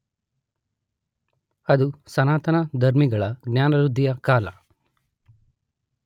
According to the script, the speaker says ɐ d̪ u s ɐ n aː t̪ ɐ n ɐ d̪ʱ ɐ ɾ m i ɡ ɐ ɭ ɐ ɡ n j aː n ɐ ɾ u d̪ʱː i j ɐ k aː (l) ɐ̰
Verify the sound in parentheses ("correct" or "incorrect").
correct